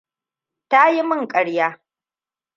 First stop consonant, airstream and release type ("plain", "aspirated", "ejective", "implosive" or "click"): plain